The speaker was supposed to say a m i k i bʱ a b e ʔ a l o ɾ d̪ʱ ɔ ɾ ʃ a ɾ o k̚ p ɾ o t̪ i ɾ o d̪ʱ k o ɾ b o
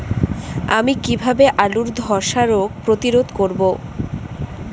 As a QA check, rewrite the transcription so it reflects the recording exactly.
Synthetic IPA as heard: a m i k i bʱ a b e ʔ a l u ɾ d̪ʱ ɔ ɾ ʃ a ɾ o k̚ p ɾ o t̪ i ɾ o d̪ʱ k o ɾ b o